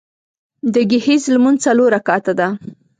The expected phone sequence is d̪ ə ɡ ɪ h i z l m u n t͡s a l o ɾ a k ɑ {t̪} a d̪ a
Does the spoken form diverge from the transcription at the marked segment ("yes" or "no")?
no